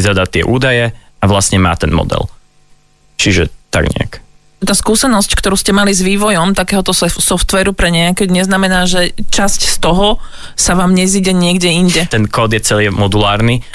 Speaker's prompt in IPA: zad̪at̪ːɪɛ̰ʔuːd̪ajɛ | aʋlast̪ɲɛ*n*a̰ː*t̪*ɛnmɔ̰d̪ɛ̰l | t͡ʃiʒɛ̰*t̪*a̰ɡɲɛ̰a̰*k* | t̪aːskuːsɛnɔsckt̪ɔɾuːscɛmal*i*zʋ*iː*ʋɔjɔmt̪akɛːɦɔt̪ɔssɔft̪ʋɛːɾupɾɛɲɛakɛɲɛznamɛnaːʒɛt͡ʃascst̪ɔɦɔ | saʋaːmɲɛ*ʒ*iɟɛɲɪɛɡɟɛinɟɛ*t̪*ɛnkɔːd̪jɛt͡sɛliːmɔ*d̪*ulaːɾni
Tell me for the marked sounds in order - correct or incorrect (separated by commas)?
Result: incorrect, correct, correct, correct, correct, correct, incorrect, correct, correct